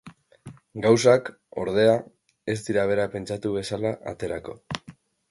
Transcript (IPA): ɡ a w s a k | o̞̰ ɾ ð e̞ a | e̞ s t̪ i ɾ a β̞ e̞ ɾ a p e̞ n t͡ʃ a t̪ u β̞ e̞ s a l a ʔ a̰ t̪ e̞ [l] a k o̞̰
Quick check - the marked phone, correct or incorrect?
incorrect